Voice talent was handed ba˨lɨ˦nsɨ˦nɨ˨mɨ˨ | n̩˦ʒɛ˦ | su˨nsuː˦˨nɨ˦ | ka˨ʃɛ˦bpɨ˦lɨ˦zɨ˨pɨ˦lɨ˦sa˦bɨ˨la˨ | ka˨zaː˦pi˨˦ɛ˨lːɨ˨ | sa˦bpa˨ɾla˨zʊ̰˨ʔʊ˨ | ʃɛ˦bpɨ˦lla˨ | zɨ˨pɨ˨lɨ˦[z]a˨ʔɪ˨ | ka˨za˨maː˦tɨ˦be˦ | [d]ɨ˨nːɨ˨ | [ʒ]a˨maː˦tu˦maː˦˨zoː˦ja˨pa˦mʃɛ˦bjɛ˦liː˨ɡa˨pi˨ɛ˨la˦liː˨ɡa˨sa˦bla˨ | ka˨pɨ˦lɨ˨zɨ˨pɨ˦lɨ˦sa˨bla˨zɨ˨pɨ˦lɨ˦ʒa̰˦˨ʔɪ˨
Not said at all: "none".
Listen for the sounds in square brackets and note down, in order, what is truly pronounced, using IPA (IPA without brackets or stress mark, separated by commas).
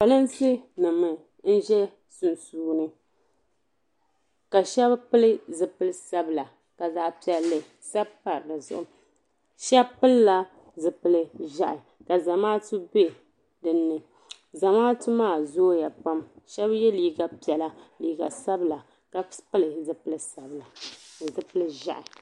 ʒ, d, z